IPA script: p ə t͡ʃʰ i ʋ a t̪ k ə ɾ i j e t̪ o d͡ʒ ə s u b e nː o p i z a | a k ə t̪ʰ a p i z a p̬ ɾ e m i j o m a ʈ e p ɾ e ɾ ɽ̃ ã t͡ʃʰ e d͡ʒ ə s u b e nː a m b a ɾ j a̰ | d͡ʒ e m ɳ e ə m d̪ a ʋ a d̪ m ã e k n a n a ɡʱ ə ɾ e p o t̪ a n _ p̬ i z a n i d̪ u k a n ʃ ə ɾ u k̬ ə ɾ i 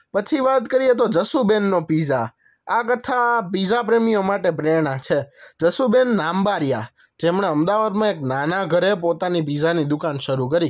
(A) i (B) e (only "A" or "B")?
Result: A